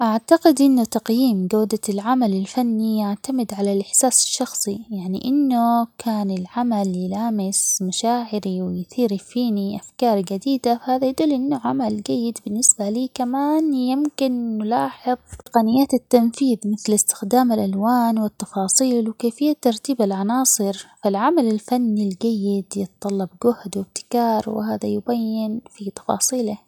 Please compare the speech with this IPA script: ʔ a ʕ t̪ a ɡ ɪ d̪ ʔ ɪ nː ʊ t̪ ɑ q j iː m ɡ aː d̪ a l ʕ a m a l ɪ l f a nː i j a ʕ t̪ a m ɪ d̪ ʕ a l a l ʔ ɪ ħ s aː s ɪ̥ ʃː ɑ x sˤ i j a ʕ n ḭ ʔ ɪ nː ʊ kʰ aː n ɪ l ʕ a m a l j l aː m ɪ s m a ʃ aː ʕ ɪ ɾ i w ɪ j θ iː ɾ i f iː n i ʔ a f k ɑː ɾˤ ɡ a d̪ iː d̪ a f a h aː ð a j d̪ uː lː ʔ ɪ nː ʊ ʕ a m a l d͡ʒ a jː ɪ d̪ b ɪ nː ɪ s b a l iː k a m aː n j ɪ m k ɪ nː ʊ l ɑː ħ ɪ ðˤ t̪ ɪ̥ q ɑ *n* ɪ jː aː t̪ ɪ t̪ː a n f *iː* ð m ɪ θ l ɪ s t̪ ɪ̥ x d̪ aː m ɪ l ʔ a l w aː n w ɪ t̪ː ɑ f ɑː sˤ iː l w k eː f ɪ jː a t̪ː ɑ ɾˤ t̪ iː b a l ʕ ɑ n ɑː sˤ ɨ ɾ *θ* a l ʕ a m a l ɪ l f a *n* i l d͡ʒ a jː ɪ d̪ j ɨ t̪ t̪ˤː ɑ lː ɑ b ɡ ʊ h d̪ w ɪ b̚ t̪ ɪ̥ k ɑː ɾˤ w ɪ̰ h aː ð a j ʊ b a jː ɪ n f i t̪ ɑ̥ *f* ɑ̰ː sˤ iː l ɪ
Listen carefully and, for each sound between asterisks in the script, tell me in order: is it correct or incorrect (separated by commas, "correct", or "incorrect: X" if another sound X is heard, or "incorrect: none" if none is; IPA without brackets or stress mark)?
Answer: correct, correct, incorrect: f, incorrect: nː, correct